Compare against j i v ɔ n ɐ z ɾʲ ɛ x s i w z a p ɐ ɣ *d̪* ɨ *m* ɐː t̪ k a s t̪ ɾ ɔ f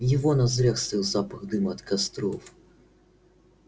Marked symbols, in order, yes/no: yes, yes

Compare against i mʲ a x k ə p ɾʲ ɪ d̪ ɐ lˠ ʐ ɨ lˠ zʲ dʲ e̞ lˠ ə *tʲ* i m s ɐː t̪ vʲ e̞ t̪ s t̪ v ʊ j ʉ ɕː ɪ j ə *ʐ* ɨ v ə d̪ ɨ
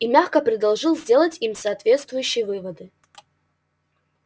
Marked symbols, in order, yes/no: yes, no

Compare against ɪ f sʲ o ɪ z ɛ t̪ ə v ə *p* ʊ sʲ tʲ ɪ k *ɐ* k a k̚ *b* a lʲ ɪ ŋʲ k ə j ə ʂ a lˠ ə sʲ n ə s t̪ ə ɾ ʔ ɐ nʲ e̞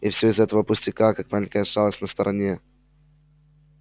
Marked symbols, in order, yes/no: yes, no, no

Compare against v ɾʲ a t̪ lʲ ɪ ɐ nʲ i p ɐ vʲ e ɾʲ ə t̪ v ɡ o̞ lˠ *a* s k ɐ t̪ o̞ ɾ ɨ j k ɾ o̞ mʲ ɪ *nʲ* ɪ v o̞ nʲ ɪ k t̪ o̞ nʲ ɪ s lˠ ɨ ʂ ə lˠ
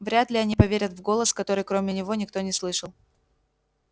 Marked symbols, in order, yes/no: no, yes

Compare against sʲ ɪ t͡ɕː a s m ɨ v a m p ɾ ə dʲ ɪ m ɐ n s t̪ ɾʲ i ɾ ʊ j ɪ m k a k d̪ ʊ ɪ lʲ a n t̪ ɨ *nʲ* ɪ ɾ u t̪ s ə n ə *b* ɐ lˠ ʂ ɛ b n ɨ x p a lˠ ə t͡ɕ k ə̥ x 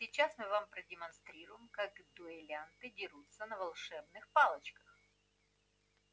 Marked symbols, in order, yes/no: no, no

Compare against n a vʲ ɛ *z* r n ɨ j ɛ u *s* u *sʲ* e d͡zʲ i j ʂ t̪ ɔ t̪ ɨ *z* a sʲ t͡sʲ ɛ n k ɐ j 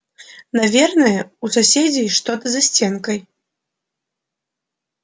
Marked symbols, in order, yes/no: no, yes, yes, yes

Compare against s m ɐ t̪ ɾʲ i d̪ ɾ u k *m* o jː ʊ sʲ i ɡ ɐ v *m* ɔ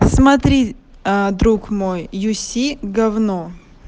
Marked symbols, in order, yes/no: yes, no

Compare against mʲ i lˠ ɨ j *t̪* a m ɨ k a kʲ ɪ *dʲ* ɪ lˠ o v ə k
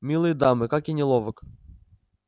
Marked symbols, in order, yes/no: no, no

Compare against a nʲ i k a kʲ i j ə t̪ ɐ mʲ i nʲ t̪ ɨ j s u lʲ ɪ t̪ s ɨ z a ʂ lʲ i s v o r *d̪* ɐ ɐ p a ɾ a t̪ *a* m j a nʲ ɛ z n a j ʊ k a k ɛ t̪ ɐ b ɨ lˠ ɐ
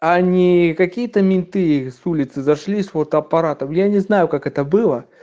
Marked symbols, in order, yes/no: no, no

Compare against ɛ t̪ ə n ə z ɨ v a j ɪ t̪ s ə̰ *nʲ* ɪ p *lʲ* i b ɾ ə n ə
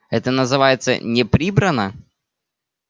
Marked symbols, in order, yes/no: yes, no

